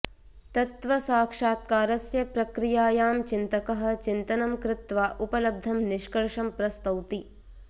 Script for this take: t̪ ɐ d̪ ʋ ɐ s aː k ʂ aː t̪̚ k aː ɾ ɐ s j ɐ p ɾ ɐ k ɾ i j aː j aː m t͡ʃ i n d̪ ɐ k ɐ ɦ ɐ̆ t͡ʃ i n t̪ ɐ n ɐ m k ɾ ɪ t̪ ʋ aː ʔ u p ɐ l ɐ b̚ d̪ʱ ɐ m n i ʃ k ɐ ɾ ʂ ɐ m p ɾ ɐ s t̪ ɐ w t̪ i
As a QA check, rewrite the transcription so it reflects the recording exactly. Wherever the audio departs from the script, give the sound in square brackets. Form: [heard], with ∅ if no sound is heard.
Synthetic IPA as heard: t̪ ɐ [t̪] ʋ ɐ s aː k ʂ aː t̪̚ k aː ɾ ɐ s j ɐ p ɾ ɐ k ɾ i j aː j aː m t͡ʃ i n [t̪] ɐ k ɐ ɦ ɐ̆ t͡ʃ i n t̪ ɐ n ɐ m k ɾ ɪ t̪ ʋ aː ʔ u p ɐ l ɐ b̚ d̪ʱ ɐ m n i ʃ k ɐ ɾ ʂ ɐ m p ɾ ɐ s t̪ ɐ w t̪ i